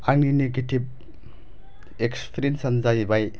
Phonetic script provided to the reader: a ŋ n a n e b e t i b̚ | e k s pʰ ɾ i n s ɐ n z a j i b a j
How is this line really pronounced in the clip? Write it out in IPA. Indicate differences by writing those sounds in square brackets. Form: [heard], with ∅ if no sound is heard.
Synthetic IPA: a ŋ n [i] n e [ɡ] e t i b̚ | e k s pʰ ɾ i n s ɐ n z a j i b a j